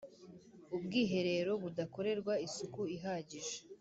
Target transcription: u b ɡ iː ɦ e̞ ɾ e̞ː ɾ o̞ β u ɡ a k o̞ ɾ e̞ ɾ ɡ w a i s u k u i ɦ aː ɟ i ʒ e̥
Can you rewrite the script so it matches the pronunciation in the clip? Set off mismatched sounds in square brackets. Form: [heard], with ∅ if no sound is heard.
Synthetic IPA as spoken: u b ɡ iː ɦ e̞ ɾ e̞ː ɾ o̞ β u [d] a k o̞ ɾ e̞ ɾ ɡ w a i s u k u i ɦ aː ɟ i ʒ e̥